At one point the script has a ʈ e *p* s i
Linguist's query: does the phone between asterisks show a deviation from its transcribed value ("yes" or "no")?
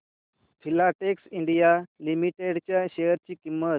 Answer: yes